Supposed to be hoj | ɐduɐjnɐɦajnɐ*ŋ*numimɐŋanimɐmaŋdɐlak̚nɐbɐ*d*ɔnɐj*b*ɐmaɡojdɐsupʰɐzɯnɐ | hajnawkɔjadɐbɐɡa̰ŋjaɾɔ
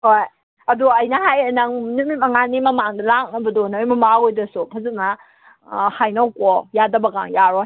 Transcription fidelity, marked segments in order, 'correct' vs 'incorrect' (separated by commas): correct, correct, incorrect